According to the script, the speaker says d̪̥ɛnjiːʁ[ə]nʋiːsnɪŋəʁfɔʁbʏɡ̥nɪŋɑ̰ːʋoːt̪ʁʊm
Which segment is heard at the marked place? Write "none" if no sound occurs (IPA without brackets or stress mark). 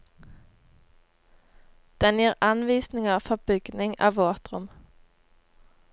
ɑ